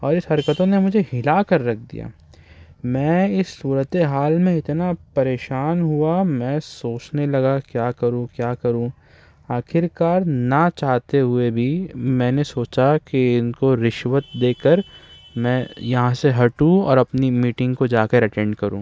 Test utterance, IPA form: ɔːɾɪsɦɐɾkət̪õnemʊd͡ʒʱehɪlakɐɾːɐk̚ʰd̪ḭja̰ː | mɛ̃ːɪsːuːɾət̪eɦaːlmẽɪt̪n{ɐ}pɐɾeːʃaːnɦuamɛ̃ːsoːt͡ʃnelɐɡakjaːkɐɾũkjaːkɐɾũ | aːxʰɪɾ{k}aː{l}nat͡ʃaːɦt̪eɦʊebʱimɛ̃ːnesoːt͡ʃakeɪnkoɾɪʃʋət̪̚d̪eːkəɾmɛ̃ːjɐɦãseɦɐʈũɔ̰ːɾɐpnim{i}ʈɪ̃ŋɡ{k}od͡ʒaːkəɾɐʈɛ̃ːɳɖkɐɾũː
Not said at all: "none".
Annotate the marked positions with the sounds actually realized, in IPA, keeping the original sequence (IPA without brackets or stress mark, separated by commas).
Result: a, k, ɾ, iː, k